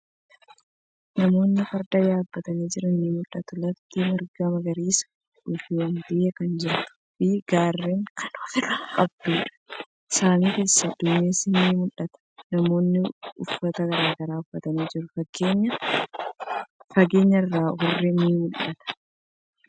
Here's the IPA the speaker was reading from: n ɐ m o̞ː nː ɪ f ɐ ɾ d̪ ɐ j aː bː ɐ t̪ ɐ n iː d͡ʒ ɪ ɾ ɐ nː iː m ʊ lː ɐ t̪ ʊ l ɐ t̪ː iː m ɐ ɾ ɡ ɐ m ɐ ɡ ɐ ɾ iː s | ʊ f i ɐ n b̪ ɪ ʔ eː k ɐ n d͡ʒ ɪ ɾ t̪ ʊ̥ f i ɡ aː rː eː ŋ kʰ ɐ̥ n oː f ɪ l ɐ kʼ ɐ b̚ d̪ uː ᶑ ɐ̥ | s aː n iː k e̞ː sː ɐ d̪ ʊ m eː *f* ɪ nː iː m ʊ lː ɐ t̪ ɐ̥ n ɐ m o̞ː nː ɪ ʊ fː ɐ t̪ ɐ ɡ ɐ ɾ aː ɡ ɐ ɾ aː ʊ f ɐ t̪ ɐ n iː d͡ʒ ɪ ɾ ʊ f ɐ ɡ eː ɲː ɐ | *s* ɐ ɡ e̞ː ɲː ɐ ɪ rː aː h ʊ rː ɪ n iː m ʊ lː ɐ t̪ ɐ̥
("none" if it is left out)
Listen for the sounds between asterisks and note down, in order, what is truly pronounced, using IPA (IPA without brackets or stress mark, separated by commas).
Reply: s, f